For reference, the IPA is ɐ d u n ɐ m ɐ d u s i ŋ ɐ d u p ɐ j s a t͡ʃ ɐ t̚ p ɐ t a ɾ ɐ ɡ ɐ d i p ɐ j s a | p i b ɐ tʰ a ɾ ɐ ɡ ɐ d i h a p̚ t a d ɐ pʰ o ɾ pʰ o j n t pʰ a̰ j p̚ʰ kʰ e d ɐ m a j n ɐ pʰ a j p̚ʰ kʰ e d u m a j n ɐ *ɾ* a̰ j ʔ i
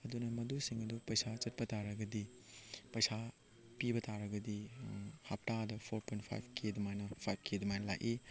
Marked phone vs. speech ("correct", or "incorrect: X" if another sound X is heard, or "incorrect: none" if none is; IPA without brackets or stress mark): incorrect: l